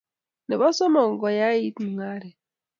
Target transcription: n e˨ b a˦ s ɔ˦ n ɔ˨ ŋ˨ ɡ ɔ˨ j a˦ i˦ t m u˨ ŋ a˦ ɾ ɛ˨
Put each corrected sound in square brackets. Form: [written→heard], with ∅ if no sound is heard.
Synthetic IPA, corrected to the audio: n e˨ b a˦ s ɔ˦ [n→m] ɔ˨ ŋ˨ ɡ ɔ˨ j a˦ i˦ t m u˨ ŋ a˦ ɾ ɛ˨